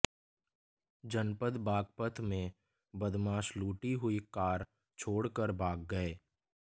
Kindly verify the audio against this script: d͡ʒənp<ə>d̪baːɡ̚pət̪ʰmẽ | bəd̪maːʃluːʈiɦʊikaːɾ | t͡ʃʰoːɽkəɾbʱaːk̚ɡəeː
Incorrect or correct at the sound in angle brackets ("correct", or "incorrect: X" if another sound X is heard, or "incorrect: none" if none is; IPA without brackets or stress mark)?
correct